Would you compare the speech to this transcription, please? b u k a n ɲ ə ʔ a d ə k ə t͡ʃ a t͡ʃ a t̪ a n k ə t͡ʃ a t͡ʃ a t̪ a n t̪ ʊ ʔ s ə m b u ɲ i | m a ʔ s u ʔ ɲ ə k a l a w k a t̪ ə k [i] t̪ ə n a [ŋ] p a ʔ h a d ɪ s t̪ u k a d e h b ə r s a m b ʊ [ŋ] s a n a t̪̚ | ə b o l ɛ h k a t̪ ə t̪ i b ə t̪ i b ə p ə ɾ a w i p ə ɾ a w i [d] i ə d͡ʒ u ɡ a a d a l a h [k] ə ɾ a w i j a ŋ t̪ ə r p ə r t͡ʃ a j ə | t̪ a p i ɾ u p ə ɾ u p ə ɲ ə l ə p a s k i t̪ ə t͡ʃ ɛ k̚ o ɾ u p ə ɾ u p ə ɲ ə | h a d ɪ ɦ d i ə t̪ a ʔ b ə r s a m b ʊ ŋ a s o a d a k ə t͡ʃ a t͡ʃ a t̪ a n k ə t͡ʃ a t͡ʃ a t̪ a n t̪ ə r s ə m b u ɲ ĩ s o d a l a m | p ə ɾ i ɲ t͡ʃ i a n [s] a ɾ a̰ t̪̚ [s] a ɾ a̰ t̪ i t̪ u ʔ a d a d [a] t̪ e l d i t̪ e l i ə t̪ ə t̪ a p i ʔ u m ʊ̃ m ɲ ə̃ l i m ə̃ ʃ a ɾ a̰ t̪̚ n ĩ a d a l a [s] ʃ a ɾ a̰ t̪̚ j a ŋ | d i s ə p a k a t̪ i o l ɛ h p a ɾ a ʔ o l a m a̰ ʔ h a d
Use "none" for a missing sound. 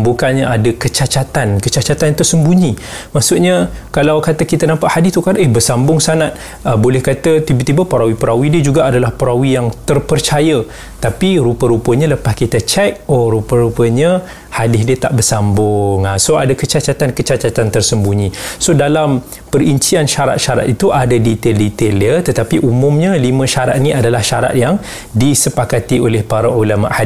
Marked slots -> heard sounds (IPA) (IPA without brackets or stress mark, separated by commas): i, m, ŋ, d, p, ʃ, ʃ, i, h